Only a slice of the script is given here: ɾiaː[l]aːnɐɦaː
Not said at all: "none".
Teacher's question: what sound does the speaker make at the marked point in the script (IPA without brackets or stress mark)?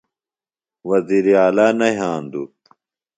l